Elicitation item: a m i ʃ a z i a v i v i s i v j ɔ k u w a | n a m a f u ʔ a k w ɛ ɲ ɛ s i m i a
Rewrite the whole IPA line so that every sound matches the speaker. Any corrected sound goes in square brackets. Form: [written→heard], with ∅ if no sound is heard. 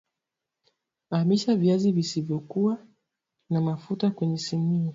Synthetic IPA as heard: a m i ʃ a [z→v] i a [v→z] i v i s i v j ɔ k u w a | n a m a f u [ʔ→t] a k w ɛ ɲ ɛ s i m i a